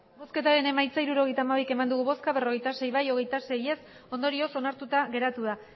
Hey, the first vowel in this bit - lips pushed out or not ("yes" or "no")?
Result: yes